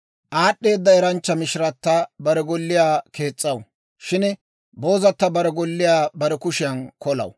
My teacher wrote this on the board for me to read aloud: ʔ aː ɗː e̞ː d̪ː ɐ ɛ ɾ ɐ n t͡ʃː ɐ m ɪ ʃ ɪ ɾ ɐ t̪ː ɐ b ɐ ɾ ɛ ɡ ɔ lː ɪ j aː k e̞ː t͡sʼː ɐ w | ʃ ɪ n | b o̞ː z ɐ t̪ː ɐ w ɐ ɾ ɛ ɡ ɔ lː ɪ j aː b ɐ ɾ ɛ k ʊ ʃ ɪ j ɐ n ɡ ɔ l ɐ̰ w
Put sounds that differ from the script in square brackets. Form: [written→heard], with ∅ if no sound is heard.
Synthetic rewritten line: ʔ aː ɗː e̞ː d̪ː ɐ ɛ ɾ ɐ n t͡ʃː ɐ m ɪ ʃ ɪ ɾ ɐ t̪ː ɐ b ɐ ɾ ɛ ɡ ɔ lː ɪ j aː k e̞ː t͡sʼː ɐ w | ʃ ɪ n | b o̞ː z ɐ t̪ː ɐ [w→b] ɐ ɾ ɛ ɡ ɔ lː ɪ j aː b ɐ ɾ ɛ k ʊ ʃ ɪ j ɐ n [ɡ→k] ɔ l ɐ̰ w

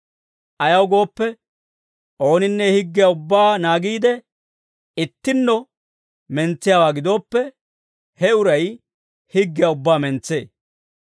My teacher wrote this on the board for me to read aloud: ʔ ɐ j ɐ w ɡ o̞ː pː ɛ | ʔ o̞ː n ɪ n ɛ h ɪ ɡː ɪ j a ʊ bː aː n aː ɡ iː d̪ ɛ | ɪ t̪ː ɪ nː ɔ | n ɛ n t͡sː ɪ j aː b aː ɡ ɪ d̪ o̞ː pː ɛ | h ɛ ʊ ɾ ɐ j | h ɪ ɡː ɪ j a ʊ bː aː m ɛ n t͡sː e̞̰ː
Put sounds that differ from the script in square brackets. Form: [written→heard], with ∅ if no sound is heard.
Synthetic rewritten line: ʔ ɐ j ɐ w ɡ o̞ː pː ɛ | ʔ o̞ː n ɪ [n→nː] ɛ h ɪ ɡː ɪ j a ʊ bː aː n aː ɡ iː d̪ ɛ | ɪ t̪ː ɪ nː ɔ | [n→m] ɛ n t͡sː ɪ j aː [b→w] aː ɡ ɪ d̪ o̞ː pː ɛ | h ɛ ʊ ɾ ɐ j | h ɪ ɡː ɪ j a ʊ bː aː m ɛ n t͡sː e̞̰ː

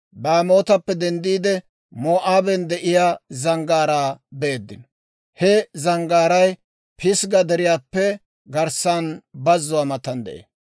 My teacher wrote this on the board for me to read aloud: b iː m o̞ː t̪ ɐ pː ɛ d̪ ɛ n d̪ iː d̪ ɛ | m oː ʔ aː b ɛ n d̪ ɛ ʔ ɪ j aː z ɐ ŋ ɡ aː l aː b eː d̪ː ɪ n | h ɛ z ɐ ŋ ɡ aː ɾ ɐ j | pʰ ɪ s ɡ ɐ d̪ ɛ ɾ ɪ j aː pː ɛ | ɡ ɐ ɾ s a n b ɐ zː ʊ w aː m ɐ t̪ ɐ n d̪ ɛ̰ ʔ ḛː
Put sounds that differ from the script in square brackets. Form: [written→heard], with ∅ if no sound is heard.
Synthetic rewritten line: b [iː→aː] m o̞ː t̪ ɐ pː ɛ d̪ ɛ n d̪ iː d̪ ɛ | m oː ʔ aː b ɛ n d̪ ɛ ʔ ɪ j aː z ɐ ŋ ɡ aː [l→ɾ] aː b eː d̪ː ɪ n | h ɛ z ɐ ŋ ɡ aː ɾ ɐ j | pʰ ɪ s ɡ ɐ d̪ ɛ ɾ ɪ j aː pː ɛ | ɡ ɐ ɾ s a n b ɐ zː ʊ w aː m ɐ t̪ ɐ n d̪ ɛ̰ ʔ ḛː

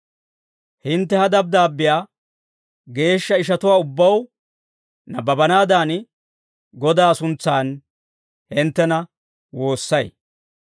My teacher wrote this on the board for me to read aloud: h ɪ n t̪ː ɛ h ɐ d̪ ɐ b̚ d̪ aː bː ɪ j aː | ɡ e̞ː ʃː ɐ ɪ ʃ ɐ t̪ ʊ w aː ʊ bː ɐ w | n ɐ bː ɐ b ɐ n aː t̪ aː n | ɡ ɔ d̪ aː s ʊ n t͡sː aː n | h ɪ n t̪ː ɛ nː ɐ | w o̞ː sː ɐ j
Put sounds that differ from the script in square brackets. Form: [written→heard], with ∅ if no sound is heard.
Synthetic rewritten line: h ɪ n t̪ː ɛ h ɐ d̪ ɐ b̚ d̪ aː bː ɪ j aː | ɡ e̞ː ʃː ɐ ɪ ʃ ɐ t̪ ʊ w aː ʊ bː ɐ w | n ɐ [bː→b] ɐ b ɐ n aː [t̪→d̪] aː n | ɡ ɔ d̪ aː s ʊ n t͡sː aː n | h ɪ n t̪ː ɛ [nː→n] ɐ | w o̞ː sː ɐ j

